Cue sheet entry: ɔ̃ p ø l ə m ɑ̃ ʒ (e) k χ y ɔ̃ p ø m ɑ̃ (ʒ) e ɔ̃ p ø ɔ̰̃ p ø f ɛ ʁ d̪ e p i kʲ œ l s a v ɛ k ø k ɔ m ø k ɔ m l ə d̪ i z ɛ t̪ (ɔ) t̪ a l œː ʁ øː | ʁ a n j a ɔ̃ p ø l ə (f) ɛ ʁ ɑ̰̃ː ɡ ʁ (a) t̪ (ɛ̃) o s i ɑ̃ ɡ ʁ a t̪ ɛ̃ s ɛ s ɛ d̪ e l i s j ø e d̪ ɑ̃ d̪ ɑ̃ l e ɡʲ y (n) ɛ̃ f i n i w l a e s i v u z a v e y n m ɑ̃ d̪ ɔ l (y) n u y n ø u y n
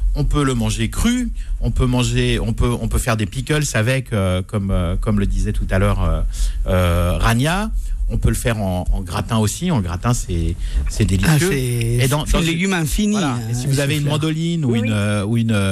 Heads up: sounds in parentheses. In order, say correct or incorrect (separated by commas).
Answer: correct, correct, incorrect, correct, correct, correct, incorrect, incorrect